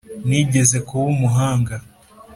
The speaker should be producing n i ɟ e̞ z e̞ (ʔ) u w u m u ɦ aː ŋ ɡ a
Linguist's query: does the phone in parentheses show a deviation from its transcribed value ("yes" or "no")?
yes